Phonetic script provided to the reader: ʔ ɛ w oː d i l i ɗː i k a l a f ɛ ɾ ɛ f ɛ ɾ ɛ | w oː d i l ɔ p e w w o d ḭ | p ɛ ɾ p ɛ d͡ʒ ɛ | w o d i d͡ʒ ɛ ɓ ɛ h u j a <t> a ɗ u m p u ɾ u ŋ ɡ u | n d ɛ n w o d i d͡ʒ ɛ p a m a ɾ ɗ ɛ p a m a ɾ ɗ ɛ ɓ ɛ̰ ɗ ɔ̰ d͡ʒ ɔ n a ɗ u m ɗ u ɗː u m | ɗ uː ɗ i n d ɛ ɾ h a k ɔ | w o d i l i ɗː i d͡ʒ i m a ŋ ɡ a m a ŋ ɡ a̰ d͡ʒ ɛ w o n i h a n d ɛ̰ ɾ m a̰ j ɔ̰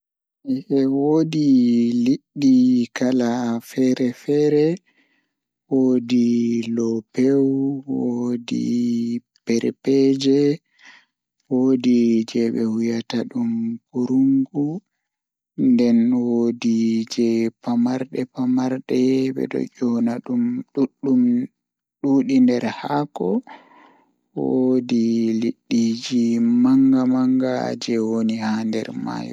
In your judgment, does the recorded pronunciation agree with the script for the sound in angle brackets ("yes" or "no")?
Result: yes